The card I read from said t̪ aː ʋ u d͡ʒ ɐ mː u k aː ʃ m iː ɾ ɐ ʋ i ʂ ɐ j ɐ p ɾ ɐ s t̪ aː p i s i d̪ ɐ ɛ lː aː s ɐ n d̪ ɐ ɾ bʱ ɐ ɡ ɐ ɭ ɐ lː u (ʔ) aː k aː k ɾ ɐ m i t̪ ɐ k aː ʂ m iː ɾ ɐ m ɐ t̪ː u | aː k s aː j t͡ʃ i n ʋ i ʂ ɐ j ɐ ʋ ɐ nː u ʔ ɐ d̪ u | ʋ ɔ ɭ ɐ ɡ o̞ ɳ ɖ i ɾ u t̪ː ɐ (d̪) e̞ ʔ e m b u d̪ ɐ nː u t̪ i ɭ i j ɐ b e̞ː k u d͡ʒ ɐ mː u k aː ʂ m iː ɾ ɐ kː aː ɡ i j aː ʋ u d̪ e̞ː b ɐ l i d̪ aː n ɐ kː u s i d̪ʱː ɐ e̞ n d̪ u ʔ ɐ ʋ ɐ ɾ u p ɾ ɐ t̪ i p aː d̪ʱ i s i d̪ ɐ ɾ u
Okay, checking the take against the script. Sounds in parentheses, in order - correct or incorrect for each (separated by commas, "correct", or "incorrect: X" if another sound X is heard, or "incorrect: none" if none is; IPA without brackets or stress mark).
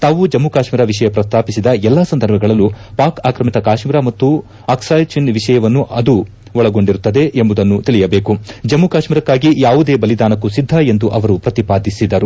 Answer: incorrect: p, correct